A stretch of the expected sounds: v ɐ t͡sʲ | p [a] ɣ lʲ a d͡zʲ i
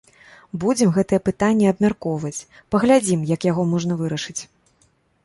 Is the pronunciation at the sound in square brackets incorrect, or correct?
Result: incorrect